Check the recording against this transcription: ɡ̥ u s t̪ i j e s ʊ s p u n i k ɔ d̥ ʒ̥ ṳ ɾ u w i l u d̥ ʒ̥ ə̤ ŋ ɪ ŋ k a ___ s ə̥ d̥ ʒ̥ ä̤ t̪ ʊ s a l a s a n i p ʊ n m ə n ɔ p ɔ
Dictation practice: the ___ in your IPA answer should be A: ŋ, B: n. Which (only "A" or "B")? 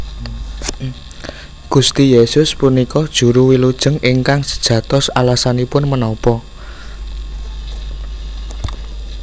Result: A